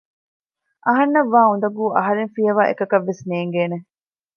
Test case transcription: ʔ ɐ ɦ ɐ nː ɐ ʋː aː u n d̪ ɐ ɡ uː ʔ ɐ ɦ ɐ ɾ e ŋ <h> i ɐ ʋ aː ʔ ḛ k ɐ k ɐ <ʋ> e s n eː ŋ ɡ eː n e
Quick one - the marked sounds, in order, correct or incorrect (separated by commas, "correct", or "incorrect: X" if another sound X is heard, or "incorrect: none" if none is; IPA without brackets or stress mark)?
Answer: incorrect: f, incorrect: ʋː